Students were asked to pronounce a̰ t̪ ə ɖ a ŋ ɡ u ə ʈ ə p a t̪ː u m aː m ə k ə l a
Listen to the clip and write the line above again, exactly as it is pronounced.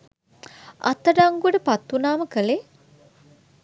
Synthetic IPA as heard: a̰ t̪ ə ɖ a ŋ ɡ u ə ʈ ə p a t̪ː u n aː m ə k ə l e